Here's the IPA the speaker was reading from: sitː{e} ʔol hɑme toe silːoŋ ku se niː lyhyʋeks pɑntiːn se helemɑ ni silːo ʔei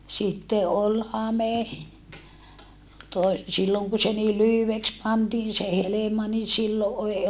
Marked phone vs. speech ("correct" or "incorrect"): correct